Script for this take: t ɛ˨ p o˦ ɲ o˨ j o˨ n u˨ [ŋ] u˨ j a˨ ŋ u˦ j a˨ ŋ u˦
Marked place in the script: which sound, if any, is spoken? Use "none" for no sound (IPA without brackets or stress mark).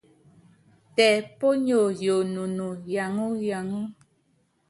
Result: n